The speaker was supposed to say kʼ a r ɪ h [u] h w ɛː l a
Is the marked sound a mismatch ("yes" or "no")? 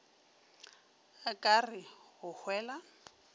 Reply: yes